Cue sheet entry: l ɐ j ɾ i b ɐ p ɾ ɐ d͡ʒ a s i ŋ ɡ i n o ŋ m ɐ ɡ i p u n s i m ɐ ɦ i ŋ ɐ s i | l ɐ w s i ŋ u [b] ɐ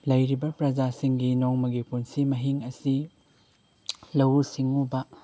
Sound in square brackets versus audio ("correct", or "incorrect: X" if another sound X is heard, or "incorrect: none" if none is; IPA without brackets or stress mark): correct